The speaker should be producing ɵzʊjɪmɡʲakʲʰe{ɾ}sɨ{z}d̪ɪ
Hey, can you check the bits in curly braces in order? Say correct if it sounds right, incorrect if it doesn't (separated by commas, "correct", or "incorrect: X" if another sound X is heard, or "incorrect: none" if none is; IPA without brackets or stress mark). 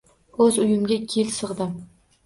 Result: incorrect: l, incorrect: ʁ